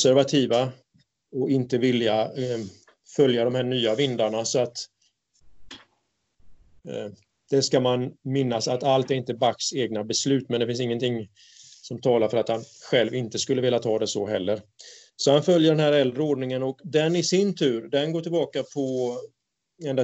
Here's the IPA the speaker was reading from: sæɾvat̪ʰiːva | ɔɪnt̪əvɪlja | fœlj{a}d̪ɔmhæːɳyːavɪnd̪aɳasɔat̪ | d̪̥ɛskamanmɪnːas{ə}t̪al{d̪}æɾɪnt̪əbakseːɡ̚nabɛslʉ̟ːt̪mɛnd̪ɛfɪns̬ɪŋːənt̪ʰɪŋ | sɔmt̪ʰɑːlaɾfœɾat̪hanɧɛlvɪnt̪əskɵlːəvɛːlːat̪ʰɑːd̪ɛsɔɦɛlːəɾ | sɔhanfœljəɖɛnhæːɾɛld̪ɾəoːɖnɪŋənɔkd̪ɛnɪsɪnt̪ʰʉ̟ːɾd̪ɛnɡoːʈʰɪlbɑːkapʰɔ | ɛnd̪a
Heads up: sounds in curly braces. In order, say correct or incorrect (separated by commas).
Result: correct, incorrect, incorrect